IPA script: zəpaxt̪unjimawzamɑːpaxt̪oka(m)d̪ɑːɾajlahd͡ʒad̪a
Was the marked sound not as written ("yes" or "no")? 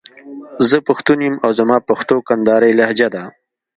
yes